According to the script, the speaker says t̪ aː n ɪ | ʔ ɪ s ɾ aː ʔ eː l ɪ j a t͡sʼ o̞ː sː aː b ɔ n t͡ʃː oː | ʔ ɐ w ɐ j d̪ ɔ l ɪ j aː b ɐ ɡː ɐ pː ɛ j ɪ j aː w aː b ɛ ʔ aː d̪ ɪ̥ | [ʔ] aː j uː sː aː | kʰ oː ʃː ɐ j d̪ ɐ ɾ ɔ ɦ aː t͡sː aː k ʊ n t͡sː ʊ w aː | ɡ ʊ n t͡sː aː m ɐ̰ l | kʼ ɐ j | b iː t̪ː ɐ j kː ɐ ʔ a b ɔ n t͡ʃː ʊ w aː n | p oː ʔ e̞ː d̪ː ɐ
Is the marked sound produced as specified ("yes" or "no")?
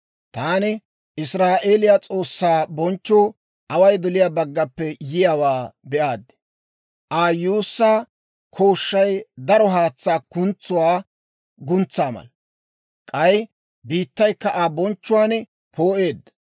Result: yes